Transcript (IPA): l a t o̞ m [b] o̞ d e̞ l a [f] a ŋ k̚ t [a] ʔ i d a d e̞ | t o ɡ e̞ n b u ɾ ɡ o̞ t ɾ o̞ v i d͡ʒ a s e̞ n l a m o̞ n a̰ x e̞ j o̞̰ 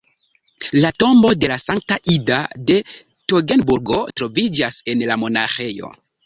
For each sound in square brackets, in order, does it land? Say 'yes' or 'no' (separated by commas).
yes, no, yes